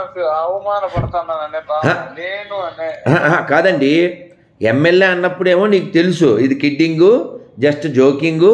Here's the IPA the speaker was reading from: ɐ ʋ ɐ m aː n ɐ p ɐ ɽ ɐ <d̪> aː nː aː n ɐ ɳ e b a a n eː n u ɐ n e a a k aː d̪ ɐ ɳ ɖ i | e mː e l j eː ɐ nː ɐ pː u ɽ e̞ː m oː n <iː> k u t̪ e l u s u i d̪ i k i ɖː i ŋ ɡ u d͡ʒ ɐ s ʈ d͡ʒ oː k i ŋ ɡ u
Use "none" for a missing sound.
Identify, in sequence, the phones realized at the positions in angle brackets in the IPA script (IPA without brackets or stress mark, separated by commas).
t̪, iː